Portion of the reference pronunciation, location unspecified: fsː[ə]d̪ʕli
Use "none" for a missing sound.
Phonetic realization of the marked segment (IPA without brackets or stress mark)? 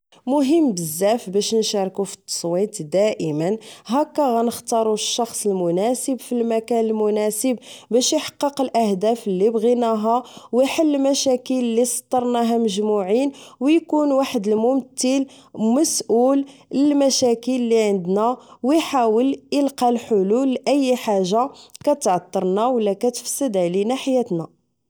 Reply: ə